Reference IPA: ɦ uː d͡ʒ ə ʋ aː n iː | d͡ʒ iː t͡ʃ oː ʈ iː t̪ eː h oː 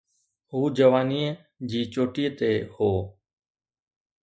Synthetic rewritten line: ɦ uː d͡ʒ ə ʋ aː n iː | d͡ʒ iː t͡ʃ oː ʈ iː t̪ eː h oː